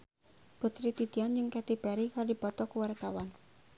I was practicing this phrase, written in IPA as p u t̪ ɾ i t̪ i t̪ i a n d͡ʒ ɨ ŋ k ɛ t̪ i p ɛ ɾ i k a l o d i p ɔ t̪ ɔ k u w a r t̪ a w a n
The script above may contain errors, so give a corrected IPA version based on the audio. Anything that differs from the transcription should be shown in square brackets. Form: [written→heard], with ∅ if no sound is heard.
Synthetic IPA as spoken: p u t̪ ɾ i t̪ i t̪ i a n d͡ʒ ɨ ŋ k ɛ t̪ i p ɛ ɾ i k a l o d i p ɔ t̪ ɔ k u w a r t̪ a w a n